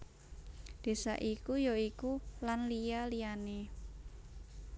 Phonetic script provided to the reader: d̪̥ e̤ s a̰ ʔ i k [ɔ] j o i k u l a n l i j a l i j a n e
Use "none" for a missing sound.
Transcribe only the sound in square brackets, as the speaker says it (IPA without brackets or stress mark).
u